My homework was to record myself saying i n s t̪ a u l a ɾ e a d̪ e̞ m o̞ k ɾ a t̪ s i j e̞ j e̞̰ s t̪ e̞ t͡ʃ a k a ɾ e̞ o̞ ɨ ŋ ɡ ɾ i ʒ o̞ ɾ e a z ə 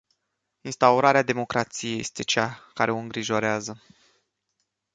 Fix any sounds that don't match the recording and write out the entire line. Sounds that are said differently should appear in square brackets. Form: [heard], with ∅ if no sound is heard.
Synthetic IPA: i n s t̪ a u [ɾ] a ɾ e a d̪ e̞ m o̞ k ɾ a t̪ s i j e̞ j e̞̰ s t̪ e̞ t͡ʃ a k a ɾ e̞ o̞ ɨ ŋ ɡ ɾ i ʒ o̞ ɾ e a z ə